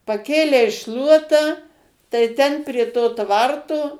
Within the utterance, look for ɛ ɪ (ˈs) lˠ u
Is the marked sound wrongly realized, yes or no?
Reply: yes